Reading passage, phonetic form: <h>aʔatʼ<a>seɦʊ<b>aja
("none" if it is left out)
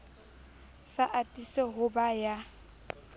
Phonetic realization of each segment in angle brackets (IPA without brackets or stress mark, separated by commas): s, i, b